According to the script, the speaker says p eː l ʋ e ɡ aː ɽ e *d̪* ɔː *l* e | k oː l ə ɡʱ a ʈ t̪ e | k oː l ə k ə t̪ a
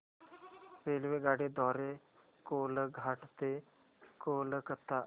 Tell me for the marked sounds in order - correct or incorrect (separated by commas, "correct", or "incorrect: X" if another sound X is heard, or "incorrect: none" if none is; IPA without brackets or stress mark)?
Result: correct, incorrect: ɾ